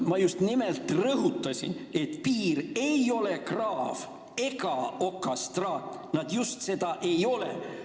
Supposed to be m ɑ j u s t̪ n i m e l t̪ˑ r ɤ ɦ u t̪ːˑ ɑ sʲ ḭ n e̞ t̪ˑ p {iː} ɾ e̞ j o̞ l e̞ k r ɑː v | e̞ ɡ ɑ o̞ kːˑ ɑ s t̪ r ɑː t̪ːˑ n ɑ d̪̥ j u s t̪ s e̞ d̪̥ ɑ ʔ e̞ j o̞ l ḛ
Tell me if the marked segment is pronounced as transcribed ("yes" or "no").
yes